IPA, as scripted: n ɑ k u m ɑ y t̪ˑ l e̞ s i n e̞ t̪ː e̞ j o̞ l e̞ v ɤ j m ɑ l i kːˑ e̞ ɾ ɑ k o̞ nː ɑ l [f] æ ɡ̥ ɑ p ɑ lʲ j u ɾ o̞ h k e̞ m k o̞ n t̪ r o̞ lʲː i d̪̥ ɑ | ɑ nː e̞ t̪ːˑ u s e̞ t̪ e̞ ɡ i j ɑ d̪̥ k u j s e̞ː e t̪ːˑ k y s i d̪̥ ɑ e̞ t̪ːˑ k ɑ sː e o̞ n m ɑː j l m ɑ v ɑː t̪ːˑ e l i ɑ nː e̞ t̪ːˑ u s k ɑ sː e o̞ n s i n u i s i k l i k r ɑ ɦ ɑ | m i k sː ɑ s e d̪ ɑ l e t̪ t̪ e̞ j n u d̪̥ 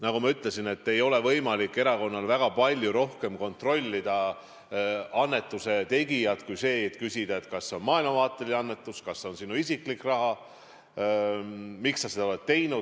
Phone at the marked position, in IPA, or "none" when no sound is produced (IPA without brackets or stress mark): v